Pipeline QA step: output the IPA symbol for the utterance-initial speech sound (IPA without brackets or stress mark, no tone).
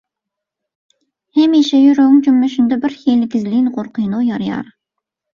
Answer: h